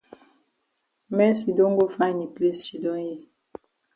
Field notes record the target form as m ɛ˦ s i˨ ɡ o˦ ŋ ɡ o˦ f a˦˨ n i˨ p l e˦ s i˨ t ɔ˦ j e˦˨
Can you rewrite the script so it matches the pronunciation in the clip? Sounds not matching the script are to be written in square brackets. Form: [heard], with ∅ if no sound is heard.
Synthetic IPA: m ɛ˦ s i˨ [d] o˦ ŋ ɡ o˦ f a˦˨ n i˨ p l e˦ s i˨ [d] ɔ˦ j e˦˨